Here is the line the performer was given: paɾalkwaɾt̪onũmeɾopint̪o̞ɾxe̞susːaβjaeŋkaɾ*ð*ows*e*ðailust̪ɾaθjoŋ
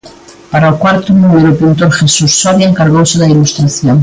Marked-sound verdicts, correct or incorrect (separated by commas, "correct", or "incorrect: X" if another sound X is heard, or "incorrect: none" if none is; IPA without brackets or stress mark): incorrect: ɣ, correct